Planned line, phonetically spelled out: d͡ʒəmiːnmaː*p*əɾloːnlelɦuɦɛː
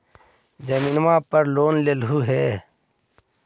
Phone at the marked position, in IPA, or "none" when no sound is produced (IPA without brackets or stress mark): p